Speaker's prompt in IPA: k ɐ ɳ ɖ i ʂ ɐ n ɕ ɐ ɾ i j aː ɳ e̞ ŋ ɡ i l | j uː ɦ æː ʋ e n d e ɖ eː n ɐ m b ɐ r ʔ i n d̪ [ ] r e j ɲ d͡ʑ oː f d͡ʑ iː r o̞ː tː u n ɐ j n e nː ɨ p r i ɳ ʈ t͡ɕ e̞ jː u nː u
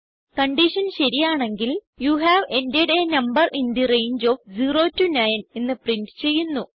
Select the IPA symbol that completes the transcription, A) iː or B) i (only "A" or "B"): B